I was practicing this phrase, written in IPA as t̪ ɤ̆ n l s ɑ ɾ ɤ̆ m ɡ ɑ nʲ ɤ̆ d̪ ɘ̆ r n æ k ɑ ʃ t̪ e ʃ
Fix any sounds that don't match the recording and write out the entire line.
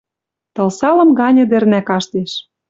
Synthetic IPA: t̪ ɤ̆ l s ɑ l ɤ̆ m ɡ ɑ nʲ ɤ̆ d̪ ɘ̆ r n æ k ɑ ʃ t̪ e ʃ